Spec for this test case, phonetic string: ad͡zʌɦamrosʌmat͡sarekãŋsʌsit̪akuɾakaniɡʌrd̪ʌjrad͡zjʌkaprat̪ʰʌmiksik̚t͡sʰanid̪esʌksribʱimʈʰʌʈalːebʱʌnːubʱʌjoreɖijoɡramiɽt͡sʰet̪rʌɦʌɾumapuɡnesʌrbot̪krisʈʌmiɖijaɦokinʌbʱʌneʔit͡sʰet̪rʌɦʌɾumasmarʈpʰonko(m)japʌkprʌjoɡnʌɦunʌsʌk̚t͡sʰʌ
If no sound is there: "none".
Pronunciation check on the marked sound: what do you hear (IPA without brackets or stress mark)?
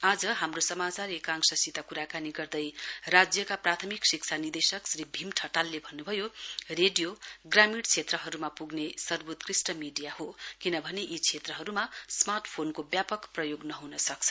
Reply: b